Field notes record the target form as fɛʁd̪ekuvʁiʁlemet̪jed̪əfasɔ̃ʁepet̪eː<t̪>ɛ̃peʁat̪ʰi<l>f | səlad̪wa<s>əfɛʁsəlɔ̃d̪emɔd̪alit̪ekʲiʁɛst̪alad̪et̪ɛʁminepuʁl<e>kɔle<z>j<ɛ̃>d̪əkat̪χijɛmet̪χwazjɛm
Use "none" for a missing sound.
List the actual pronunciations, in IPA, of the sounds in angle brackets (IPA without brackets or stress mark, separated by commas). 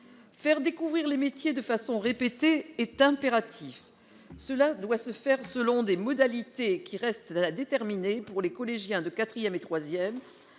t̪, none, s, e, ʒ, ɛ̃